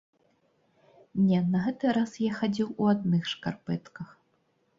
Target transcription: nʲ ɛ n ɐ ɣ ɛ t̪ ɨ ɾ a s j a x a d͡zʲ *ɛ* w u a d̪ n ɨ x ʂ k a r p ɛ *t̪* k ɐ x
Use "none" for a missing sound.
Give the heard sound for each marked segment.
i, t̪

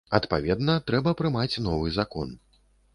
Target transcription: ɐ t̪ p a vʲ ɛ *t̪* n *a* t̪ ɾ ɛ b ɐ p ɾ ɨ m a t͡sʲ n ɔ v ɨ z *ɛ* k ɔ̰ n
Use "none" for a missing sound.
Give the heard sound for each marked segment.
d̪, ɐ, a

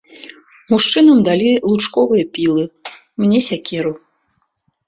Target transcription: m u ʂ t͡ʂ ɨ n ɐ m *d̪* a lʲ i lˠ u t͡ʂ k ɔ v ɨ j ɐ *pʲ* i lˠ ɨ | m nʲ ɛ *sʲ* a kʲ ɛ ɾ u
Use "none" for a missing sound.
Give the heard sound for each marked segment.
d̪, pʲ, sʲ

